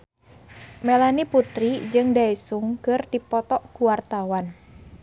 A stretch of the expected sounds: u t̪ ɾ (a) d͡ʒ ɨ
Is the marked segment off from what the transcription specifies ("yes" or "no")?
yes